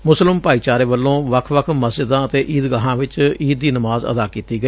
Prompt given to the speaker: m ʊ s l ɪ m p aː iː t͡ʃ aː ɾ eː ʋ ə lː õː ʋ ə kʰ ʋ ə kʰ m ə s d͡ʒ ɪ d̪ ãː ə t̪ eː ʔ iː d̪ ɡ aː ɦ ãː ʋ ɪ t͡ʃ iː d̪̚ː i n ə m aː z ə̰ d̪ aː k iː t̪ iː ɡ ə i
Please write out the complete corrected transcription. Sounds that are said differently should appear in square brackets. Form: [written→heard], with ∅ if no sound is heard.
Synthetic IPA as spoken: m ʊ s l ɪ m p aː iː t͡ʃ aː ɾ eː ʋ ə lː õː ʋ ə kʰ ʋ ə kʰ m ə s d͡ʒ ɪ d̪ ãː ə t̪ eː ʔ iː d̪ ɡ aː ɦ ãː ʋ ɪ t͡ʃ iː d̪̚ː [i→iː] n ə m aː z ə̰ d̪ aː k iː t̪ iː ɡ ə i